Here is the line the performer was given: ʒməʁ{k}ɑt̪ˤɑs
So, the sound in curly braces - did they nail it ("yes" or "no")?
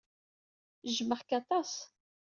yes